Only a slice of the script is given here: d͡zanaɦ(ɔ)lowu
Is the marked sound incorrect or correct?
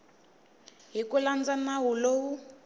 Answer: incorrect